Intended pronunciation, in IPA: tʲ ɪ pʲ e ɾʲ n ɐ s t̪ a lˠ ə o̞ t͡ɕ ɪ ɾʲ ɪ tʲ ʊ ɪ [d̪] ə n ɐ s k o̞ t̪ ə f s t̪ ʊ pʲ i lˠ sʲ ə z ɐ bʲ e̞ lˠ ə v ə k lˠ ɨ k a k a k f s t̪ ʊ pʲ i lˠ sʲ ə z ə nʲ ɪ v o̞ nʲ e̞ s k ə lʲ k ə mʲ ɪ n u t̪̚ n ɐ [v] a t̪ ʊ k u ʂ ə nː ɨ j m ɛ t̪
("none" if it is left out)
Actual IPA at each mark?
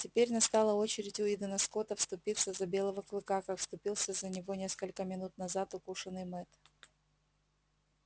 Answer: d̪, z

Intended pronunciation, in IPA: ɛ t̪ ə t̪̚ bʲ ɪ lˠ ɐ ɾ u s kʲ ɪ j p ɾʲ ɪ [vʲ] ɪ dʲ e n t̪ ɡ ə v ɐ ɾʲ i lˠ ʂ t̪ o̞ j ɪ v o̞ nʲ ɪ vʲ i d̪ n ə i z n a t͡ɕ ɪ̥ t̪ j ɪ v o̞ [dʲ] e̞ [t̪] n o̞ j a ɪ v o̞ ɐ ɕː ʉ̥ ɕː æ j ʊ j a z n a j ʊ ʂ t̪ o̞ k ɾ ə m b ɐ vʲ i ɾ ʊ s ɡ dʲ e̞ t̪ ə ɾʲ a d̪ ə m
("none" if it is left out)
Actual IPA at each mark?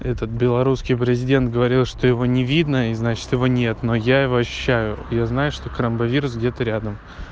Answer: zʲ, nʲ, t̪

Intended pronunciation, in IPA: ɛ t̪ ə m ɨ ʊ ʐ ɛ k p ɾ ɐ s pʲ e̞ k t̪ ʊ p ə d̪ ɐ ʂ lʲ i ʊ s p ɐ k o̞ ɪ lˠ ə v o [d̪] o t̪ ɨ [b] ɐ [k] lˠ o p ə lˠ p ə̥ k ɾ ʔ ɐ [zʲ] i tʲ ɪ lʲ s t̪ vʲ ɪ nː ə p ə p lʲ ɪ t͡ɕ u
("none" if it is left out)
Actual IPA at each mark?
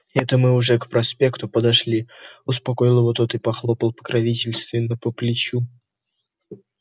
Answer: t̪, p, x, vʲ

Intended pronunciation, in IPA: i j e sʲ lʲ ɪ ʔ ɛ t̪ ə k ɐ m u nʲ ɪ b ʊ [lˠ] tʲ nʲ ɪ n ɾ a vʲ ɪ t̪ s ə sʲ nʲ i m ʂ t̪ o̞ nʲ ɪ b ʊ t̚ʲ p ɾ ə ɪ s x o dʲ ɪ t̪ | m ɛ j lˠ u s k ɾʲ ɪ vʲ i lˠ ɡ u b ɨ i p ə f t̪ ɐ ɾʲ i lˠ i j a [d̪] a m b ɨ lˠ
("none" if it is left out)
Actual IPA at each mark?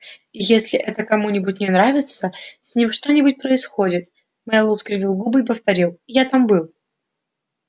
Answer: none, t̪

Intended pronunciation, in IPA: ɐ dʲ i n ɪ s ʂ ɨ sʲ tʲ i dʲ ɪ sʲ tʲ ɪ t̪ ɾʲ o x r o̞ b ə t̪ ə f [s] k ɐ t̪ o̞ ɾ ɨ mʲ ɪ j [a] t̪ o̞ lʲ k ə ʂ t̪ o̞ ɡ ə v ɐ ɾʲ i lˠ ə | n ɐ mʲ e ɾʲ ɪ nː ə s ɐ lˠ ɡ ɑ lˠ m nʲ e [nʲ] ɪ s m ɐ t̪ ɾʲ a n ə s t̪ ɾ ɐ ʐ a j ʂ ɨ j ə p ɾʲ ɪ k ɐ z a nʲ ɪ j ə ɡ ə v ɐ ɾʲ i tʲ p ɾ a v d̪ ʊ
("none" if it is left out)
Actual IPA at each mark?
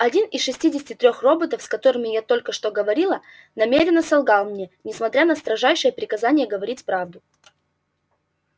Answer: s, a, nʲ

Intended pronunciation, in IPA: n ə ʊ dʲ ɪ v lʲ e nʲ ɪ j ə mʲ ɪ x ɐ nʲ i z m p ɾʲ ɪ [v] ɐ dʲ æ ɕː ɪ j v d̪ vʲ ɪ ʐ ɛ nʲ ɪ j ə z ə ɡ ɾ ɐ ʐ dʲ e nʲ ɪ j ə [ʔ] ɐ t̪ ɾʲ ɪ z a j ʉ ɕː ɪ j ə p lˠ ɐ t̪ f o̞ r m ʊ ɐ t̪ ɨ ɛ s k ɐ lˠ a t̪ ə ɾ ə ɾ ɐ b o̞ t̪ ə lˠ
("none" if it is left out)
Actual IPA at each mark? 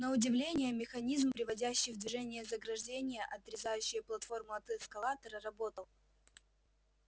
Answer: v, ʔ

